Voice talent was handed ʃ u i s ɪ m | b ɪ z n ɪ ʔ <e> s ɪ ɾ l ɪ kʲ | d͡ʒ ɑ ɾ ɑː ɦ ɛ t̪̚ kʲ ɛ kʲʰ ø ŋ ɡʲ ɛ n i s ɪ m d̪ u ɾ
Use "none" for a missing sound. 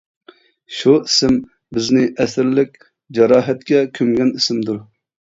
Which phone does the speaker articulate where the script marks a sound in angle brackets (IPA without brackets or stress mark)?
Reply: ɛ